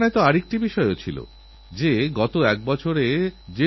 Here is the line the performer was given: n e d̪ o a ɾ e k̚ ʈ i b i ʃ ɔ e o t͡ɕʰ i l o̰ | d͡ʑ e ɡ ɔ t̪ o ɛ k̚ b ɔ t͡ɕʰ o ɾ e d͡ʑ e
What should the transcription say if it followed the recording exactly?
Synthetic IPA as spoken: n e t̪ o a ɾ e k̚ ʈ i b i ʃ ɔ e o t͡ɕʰ i l o̰ | d͡ʑ e ɡ ɔ t̪ o ɛ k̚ b ɔ t͡ɕʰ o ɾ e d͡ʑ e